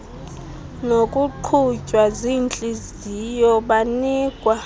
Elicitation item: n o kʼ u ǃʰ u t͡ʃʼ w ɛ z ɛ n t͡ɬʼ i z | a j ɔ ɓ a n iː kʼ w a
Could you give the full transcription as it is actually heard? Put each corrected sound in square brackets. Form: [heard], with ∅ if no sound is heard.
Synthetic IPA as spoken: n o kʼ u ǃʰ u t͡ʃʼ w [a] z [i] n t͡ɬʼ i z | [i] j ɔ ɓ a n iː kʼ w a